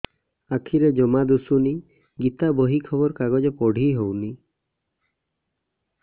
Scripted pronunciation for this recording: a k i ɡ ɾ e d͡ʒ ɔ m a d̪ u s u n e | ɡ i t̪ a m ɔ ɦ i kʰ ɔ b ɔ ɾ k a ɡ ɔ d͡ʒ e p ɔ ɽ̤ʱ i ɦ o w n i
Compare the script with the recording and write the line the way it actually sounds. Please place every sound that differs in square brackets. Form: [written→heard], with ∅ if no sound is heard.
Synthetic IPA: a [k→kʰ] i [ɡ→∅] ɾ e d͡ʒ ɔ m a d̪ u s u n [e→i] | ɡ i t̪ a [m→b] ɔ ɦ i kʰ ɔ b ɔ ɾ k a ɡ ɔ d͡ʒ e p ɔ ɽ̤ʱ i ɦ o w n i